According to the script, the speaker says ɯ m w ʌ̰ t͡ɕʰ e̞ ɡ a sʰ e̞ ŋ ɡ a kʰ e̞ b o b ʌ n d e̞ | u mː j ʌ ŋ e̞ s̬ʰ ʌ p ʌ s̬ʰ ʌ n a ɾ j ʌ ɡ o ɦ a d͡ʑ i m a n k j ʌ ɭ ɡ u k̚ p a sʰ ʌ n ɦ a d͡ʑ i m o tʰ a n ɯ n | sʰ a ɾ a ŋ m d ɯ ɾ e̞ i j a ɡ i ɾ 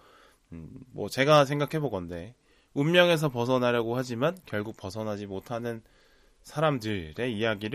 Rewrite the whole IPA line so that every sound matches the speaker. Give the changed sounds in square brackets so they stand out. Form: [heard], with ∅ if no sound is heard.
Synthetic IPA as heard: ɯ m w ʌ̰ [t͡ɕ] e̞ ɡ a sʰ e̞ ŋ ɡ a kʰ e̞ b o [ɡ] ʌ n d e̞ | u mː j ʌ ŋ e̞ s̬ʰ ʌ p ʌ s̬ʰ ʌ n a ɾ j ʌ ɡ o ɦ a d͡ʑ i m a n k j ʌ ɭ ɡ u k̚ p [ʌ] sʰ ʌ n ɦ a d͡ʑ i m o tʰ a n ɯ n | sʰ a ɾ a [∅] m d ɯ ɾ e̞ i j a ɡ i ɾ